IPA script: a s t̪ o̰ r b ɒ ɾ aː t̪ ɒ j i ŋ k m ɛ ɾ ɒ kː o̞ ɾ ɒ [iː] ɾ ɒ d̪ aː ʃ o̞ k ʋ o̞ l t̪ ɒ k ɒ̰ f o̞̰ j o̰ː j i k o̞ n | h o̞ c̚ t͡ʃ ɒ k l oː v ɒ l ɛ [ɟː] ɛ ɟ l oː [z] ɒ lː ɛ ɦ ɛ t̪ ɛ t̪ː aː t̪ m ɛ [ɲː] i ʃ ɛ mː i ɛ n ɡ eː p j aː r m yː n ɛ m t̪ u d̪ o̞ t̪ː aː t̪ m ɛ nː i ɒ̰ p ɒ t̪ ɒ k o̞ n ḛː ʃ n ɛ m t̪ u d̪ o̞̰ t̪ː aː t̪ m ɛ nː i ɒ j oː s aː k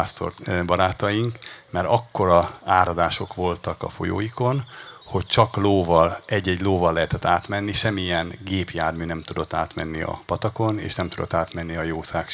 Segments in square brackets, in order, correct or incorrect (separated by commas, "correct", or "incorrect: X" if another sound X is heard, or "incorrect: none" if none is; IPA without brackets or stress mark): incorrect: aː, correct, incorrect: v, incorrect: nː